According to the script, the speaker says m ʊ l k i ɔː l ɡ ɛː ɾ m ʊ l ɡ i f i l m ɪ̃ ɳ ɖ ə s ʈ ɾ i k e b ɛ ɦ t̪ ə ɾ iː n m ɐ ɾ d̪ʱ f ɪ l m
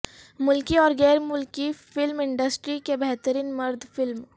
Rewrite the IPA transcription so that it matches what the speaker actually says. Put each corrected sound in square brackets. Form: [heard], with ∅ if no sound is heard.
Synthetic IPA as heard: m ʊ l k i ɔː [ɾ] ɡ ɛː ɾ m ʊ l [k] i f [ɪ] l m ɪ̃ ɳ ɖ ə s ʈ ɾ i k e b ɛ ɦ t̪ ə ɾ iː n m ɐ ɾ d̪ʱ f ɪ l m